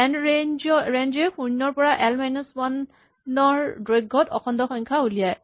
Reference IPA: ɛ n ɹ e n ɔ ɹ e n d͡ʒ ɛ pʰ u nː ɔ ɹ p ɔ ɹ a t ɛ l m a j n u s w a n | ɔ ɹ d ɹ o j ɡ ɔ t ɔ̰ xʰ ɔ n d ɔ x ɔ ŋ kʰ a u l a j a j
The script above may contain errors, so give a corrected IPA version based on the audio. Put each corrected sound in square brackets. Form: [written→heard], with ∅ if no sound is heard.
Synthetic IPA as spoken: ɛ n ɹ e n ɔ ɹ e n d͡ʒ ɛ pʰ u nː ɔ ɹ p ɔ ɹ a [t→ʔ] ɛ l m a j n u s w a n | ɔ ɹ d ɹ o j ɡ ɔ t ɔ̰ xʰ ɔ n d ɔ x ɔ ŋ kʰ a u l [a→i] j a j